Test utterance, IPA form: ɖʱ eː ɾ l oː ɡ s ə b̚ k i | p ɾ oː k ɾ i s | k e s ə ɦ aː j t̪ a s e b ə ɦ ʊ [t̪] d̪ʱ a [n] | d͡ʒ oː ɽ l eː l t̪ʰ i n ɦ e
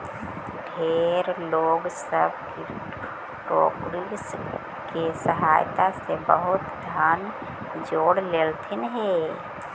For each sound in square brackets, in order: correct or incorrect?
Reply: correct, correct

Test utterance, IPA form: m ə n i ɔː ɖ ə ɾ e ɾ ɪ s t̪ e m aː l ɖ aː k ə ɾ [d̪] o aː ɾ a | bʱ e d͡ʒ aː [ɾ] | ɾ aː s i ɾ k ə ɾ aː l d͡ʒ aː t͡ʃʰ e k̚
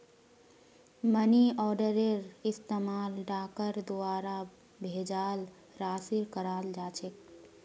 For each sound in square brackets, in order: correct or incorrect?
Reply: correct, incorrect: l

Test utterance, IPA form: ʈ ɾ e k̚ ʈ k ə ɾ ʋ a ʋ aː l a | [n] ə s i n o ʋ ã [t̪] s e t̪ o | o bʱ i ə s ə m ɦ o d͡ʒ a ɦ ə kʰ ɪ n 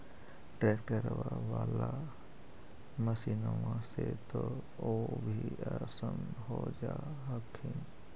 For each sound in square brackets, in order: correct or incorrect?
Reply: incorrect: m, incorrect: none

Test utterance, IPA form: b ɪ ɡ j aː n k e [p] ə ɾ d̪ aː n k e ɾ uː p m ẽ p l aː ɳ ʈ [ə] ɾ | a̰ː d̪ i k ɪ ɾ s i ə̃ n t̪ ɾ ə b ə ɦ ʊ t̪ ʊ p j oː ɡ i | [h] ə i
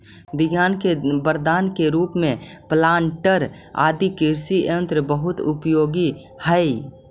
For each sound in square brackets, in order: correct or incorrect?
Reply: incorrect: b, correct, correct

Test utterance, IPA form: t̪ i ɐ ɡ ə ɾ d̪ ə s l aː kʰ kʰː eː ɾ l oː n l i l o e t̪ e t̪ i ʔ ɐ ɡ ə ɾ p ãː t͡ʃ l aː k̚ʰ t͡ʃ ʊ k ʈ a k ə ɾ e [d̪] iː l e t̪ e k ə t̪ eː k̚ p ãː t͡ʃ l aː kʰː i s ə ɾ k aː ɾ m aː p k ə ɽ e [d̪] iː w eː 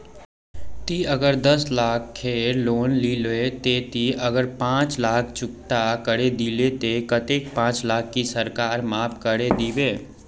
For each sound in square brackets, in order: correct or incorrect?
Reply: correct, correct

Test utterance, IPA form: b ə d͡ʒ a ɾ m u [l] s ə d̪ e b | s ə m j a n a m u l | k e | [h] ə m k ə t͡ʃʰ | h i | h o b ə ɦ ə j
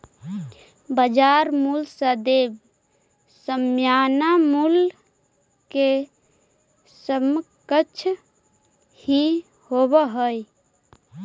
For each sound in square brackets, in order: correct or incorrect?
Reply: correct, incorrect: s

